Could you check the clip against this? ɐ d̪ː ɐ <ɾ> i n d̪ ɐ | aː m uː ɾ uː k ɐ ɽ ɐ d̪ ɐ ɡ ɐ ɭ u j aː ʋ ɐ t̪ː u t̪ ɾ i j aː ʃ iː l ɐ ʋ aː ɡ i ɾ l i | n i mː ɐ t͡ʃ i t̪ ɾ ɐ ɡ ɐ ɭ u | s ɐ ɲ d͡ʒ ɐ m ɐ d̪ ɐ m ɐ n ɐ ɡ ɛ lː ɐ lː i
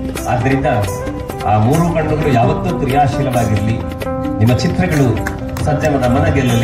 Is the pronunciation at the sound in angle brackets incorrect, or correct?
correct